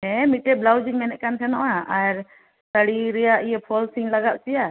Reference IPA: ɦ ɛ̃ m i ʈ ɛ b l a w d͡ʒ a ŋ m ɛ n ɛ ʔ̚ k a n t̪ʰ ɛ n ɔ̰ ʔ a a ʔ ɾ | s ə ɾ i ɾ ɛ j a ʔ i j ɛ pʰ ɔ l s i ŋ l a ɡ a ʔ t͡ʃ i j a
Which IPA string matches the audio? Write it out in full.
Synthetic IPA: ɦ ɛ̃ m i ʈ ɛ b l a w d͡ʒ i ŋ m ɛ n ɛ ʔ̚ k a n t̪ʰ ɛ n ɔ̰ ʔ a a ɾ | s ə ɽ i ɾ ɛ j a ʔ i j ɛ pʰ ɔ l s i ŋ l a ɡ a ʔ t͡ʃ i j a